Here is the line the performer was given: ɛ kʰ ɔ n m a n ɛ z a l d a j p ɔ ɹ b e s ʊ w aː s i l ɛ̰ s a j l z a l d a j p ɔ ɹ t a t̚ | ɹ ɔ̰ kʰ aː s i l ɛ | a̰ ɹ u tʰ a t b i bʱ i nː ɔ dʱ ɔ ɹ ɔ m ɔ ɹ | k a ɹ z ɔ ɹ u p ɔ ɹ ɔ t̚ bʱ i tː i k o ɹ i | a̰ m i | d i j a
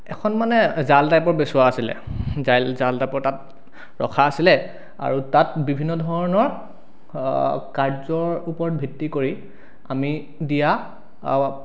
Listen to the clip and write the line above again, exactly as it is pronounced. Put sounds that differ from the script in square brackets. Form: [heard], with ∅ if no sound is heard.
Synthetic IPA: ɛ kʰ ɔ n m a n ɛ z a l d a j p ɔ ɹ b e s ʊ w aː s i l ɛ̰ [z] a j l z a l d a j p ɔ ɹ t a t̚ | ɹ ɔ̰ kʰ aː s i l ɛ | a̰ ɹ u [t] a t b i bʱ i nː ɔ dʱ ɔ ɹ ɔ [n] ɔ ɹ | k a ɹ z ɔ ɹ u p ɔ ɹ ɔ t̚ bʱ i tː i k o ɹ i | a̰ m i | d i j a